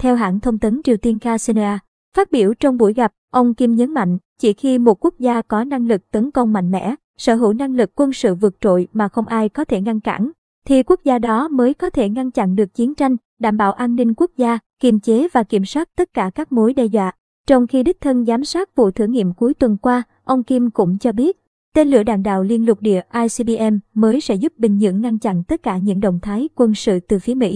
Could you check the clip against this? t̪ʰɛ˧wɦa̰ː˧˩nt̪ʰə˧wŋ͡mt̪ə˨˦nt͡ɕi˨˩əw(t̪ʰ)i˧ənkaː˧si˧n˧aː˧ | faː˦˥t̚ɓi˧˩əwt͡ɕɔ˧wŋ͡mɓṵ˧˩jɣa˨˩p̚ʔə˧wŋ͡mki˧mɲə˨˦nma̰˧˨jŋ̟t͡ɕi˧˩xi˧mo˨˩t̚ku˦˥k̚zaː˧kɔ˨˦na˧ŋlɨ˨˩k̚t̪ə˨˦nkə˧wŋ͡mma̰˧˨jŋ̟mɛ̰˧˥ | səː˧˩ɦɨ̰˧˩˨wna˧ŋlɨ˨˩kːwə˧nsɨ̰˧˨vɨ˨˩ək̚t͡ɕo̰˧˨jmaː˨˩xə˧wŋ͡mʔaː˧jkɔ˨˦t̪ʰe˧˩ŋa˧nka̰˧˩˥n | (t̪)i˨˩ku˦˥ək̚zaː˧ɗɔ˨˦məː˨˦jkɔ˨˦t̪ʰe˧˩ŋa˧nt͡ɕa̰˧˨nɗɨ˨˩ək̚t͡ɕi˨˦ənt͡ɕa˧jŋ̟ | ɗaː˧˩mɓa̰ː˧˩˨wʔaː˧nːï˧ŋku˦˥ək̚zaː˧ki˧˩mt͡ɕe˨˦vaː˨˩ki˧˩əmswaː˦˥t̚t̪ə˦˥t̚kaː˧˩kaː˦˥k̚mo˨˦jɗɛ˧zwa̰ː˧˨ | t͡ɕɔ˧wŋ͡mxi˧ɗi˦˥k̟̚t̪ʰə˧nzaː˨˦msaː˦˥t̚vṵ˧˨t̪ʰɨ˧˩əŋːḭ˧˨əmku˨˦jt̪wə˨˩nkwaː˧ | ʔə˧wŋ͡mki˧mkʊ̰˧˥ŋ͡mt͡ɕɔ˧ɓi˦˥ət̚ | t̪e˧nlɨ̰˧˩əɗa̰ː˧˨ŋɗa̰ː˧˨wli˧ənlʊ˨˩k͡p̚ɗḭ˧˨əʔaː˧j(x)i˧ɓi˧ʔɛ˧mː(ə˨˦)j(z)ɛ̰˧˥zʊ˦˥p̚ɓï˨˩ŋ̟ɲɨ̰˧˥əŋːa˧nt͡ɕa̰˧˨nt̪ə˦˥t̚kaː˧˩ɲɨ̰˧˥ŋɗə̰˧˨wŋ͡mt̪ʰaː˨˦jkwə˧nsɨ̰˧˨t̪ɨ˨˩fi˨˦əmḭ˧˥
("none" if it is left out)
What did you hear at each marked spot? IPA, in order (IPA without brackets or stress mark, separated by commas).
t̪, t̪ʰ, s, əː˨˦, s